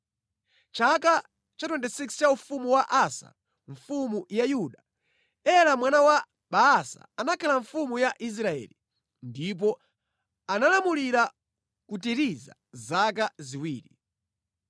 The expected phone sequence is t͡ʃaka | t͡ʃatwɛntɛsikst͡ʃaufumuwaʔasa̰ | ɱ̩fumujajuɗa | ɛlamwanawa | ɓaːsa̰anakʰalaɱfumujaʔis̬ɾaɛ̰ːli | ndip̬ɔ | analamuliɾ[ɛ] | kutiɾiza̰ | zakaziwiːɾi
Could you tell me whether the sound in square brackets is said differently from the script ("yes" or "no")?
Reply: yes